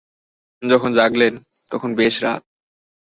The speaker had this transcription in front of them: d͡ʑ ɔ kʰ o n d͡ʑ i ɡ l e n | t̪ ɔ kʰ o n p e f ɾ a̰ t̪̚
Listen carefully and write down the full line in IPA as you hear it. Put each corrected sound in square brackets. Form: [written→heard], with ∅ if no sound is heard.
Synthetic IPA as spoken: d͡ʑ ɔ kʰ o n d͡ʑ [i→a] ɡ l e n | t̪ ɔ kʰ o n [p→b] e [f→ʃ] ɾ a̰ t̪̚